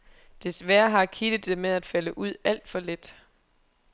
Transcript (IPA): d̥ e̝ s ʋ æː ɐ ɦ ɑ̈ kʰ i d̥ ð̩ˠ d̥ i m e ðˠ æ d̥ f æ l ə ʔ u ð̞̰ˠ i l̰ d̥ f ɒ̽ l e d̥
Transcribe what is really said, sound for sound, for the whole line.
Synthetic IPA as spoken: d̥ e̝ s ʋ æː ɐ ɦ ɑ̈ kʰ i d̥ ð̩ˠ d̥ e m e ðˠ æ d̥ f æ l ə ʔ u ð̞̰ˠ æ l̰ d̥ f ɒ̽ l e d̥